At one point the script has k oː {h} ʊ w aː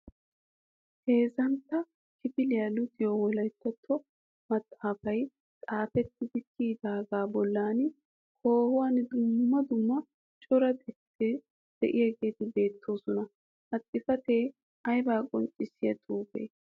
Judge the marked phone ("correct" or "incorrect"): correct